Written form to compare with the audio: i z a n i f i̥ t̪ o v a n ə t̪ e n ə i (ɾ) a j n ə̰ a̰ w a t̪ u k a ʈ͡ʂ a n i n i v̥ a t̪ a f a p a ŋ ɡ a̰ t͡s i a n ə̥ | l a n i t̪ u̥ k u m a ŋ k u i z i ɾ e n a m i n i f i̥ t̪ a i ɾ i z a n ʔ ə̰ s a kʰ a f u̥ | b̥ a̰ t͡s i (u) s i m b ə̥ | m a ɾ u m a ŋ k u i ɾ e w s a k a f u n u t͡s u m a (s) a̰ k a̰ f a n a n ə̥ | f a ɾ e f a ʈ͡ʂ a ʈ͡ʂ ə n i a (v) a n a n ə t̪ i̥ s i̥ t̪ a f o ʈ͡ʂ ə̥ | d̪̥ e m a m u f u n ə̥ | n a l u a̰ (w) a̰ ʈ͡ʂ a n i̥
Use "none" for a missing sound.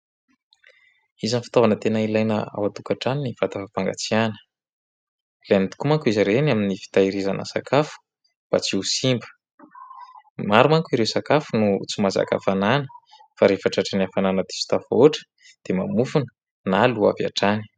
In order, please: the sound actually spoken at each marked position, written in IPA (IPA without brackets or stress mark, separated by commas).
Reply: l, u, z, f, v